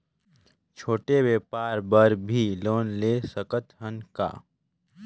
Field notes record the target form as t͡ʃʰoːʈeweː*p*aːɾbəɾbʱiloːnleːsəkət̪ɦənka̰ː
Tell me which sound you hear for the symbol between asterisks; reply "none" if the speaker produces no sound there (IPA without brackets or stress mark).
p